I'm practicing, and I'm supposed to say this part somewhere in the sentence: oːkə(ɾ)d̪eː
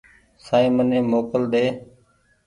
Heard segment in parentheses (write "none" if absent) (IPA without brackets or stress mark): l